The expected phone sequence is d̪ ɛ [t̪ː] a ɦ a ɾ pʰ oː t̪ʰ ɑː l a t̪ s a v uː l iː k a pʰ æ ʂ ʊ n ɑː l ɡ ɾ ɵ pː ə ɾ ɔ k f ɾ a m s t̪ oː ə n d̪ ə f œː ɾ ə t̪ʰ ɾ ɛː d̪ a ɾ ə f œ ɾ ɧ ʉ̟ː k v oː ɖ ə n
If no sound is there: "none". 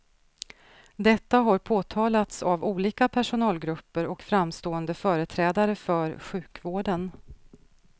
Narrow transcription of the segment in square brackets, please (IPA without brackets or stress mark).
t̪ː